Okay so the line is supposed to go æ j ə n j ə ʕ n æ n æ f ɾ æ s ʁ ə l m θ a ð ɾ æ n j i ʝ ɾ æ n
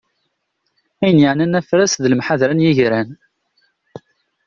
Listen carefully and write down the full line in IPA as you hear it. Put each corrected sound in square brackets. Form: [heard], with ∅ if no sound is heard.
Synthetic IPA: æ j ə n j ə ʕ n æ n æ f ɾ æ s [ð] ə l m [ħ] a ð ɾ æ n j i ʝ ɾ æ n